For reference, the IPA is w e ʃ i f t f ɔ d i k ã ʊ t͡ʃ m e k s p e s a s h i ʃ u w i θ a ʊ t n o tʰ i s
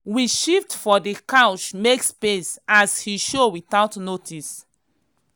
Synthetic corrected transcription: w i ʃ i f t f ɔ d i k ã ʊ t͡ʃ m e k s p e s a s h i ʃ o w i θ a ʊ t n o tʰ i s